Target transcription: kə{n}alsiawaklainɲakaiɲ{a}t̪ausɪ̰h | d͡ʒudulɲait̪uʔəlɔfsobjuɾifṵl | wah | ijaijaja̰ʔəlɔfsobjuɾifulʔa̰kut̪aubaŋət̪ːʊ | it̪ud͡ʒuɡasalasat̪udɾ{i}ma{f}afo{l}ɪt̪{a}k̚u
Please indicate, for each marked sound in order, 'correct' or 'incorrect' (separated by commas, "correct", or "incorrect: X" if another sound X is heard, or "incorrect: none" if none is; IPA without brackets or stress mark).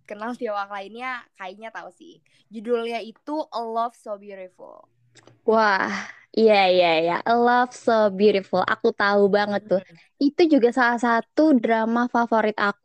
correct, correct, incorrect: a, correct, incorrect: ɾ, correct